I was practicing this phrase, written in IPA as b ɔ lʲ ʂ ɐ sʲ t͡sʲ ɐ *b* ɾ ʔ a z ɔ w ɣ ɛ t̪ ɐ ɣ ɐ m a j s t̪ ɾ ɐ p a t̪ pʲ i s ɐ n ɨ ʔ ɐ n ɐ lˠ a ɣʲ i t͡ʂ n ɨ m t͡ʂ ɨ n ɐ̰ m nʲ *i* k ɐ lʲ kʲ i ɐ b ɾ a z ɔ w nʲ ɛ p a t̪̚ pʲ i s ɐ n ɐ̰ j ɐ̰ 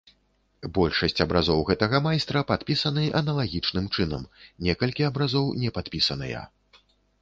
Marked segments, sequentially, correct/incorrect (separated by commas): correct, incorrect